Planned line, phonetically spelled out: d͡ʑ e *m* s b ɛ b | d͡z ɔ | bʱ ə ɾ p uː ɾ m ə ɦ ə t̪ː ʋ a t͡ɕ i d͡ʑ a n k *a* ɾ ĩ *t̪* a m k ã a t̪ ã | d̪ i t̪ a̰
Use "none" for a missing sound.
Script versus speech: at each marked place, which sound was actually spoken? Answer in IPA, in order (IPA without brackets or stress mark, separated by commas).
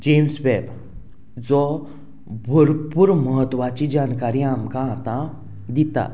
m, a, none